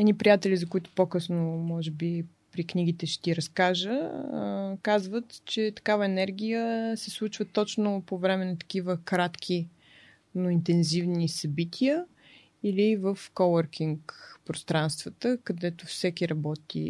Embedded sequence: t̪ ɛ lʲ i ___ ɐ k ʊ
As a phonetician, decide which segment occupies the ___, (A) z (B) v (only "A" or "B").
A